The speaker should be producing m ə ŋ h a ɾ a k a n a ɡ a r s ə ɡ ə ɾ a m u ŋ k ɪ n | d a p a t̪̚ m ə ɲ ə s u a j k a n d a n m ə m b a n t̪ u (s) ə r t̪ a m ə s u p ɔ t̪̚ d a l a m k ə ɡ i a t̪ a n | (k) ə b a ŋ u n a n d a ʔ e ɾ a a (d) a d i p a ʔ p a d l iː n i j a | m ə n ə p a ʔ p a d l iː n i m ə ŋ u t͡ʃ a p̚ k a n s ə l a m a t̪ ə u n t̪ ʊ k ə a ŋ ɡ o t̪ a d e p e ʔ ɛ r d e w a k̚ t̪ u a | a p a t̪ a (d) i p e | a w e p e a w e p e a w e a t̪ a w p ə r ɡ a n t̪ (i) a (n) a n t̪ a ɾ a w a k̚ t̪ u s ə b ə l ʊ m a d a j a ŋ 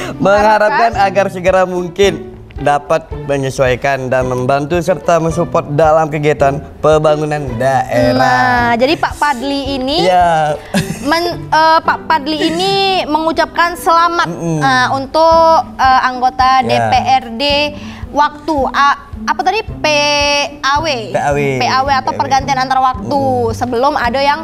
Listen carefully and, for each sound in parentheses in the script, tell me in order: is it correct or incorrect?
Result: correct, incorrect, incorrect, correct, correct, correct

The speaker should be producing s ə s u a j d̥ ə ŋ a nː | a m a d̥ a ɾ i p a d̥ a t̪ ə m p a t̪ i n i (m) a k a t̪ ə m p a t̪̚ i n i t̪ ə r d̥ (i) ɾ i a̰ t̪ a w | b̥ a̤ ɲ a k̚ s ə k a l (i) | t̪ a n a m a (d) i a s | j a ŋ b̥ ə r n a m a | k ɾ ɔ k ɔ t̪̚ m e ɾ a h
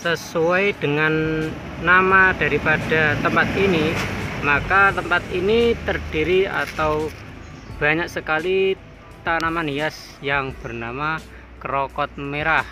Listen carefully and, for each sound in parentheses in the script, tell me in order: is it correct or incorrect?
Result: correct, correct, correct, incorrect

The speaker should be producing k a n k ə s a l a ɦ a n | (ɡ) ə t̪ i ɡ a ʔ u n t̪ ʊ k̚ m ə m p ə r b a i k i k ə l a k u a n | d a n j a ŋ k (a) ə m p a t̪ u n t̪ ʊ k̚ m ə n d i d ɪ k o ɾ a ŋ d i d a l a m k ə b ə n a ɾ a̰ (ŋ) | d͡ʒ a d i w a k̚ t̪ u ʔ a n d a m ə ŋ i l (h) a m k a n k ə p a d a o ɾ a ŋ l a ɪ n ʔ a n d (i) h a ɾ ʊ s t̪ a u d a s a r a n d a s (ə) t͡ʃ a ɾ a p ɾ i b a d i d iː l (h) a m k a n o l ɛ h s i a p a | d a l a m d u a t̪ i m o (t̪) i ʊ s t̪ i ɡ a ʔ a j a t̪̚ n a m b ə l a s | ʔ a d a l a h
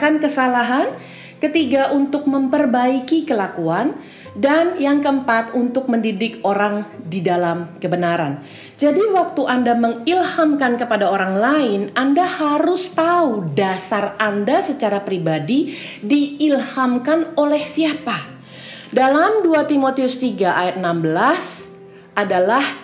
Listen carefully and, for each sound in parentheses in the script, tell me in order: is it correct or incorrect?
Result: incorrect, incorrect, incorrect, correct, incorrect, correct, correct, correct

